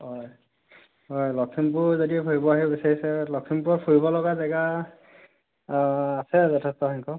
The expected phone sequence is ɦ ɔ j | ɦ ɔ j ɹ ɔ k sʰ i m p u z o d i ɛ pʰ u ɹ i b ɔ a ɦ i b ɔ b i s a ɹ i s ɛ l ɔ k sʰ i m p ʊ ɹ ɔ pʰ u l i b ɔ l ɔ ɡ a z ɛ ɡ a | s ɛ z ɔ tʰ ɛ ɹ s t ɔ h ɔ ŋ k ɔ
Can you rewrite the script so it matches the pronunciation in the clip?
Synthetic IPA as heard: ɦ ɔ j | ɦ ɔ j l ɔ k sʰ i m p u z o d i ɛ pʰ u ɹ i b ɔ a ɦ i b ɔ b i s a ɹ i s ɛ l ɔ k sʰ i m p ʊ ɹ ɔ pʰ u ɹ i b ɔ l ɔ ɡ a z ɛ ɡ a | s ɛ z ɔ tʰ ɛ s t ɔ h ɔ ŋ k ɔ